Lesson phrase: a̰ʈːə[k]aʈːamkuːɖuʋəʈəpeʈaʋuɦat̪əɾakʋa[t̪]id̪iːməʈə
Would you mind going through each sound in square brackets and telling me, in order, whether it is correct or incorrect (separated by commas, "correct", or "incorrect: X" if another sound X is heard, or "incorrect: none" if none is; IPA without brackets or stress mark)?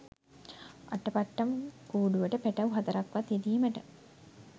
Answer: incorrect: p, correct